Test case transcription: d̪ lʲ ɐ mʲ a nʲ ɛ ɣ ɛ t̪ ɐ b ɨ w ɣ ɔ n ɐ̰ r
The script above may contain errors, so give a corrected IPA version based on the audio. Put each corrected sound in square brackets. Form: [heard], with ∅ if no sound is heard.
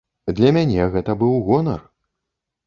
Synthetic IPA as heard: d̪ lʲ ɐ mʲ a nʲ ɛ ɣ ɛ t̪ ɐ b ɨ w ɣ ɔ n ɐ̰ r